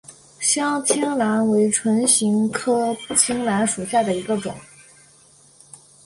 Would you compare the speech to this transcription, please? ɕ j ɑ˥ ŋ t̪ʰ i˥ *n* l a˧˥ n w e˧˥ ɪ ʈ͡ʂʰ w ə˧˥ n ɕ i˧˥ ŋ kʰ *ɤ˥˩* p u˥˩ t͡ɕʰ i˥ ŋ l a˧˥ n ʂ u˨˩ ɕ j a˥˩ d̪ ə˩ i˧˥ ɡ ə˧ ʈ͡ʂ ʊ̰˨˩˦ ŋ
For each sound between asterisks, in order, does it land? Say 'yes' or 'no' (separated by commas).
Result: no, no